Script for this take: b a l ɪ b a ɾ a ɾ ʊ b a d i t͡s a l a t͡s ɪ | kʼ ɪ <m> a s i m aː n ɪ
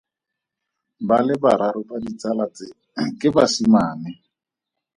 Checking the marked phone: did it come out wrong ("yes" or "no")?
yes